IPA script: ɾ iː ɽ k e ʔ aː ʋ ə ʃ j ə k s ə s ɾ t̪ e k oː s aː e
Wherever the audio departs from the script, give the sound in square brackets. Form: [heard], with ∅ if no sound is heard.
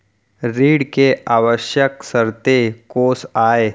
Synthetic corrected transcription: ɾ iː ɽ k e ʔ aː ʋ ə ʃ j ə k s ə [∅] ɾ t̪ e k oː s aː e